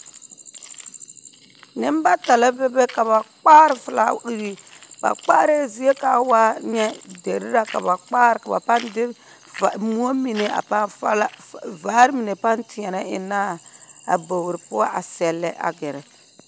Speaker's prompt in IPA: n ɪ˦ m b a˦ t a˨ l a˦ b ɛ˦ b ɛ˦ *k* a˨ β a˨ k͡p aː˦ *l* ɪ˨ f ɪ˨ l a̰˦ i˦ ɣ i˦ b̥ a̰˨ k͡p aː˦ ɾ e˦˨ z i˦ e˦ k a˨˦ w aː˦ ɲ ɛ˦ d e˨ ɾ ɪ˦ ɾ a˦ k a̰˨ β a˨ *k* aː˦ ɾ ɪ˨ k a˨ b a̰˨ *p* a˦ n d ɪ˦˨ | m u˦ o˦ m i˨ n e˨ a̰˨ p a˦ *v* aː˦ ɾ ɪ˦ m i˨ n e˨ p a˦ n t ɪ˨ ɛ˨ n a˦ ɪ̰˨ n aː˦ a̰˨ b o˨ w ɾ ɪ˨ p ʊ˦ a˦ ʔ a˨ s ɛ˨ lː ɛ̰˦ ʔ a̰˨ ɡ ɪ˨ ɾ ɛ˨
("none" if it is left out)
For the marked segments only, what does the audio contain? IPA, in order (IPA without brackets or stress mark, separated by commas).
k, ɾ, k͡p, p, v